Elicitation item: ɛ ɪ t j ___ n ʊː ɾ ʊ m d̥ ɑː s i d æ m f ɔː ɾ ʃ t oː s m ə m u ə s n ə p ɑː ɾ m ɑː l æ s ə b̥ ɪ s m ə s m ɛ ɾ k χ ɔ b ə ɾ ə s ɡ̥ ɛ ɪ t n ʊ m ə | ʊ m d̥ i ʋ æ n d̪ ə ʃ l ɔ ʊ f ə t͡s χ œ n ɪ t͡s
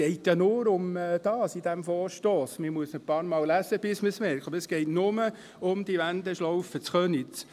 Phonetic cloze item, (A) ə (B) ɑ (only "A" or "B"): B